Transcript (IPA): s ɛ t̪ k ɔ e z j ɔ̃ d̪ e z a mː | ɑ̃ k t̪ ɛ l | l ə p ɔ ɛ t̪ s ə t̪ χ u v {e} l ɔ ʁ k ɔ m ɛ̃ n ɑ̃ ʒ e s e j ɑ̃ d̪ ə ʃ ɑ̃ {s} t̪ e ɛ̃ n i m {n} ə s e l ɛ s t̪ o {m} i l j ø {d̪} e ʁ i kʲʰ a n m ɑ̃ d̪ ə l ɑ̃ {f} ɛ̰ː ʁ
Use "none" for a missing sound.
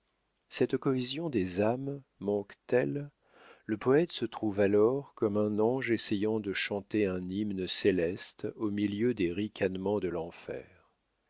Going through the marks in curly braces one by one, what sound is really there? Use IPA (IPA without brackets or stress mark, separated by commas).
a, none, n, m, d̪, f